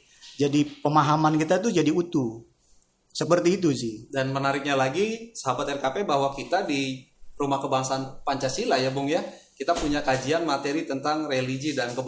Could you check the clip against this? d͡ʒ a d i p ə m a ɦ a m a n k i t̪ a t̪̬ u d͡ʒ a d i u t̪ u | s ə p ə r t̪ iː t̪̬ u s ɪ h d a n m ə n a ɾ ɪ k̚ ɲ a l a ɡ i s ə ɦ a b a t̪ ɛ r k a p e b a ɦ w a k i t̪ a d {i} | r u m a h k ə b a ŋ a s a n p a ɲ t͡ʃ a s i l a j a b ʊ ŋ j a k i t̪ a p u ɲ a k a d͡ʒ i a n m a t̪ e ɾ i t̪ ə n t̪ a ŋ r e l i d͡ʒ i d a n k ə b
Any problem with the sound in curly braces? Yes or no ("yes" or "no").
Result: no